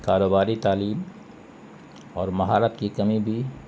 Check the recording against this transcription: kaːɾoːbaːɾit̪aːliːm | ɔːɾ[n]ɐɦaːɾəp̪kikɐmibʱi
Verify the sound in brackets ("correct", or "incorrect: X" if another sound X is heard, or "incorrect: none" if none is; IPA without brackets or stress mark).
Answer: incorrect: m